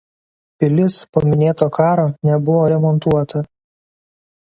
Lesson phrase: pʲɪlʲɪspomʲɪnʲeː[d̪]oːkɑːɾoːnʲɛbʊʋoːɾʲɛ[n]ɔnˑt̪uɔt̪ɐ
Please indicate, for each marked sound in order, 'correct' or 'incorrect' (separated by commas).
incorrect, incorrect